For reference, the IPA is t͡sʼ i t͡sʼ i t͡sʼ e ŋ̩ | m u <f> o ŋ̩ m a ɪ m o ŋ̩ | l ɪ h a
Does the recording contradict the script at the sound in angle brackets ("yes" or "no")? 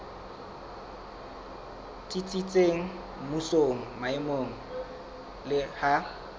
yes